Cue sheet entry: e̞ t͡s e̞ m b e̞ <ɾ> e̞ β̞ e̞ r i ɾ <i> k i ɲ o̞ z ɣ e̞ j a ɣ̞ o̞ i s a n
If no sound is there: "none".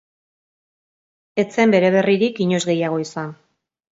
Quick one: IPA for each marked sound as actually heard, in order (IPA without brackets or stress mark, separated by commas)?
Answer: ɾ, i